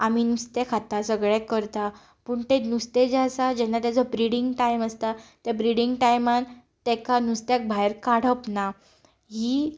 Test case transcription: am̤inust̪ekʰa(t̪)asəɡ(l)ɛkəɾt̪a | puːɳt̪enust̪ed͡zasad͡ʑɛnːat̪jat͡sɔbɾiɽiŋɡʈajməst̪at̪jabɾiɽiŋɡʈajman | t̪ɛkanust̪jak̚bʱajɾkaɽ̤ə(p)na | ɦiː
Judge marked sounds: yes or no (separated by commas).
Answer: yes, no, yes